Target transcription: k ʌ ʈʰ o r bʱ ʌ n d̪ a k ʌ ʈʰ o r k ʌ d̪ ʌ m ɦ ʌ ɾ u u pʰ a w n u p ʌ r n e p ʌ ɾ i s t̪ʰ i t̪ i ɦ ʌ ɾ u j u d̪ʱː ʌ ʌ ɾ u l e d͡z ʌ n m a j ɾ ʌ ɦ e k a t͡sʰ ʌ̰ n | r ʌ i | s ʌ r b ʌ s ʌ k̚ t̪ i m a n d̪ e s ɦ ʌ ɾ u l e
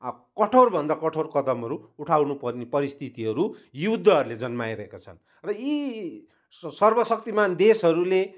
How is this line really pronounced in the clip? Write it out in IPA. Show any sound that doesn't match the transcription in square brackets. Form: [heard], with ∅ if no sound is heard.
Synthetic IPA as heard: k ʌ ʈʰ o r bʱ ʌ n d̪ a k ʌ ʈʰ o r k ʌ d̪ ʌ m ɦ ʌ ɾ u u [ʈʰ] a w n u p ʌ r n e p ʌ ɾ i s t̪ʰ i t̪ i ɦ ʌ ɾ u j u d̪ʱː ʌ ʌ ɾ u l e d͡z ʌ n m a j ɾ ʌ ɦ e k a t͡sʰ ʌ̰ n | r ʌ i | s ʌ r b ʌ s ʌ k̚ t̪ i m a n d̪ e s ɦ ʌ ɾ u l e